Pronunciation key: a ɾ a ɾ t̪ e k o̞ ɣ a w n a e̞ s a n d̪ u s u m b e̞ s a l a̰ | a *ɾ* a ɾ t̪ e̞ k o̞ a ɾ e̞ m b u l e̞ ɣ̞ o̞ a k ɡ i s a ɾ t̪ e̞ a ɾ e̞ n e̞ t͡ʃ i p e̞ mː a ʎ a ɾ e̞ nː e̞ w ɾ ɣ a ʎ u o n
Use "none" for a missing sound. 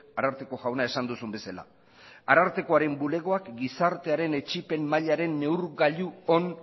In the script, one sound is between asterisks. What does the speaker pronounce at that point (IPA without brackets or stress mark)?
ɾ